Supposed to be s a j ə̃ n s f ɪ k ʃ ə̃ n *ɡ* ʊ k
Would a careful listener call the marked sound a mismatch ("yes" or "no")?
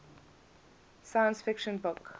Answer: yes